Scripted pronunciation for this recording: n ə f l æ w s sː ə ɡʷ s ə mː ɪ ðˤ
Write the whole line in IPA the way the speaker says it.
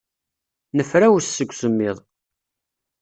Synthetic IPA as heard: n ə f ɾ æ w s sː ə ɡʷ s ə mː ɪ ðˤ